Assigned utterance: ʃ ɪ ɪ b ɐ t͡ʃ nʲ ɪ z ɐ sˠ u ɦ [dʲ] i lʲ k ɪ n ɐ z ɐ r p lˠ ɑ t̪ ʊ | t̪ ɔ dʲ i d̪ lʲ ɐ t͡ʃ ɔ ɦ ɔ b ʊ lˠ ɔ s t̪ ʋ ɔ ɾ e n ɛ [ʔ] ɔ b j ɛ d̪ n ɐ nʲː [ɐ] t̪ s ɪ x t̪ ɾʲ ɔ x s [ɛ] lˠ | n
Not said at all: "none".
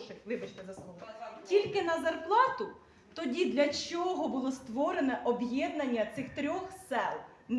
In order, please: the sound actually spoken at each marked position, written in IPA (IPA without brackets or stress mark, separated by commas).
tʲ, ʔ, ɐ, ɛ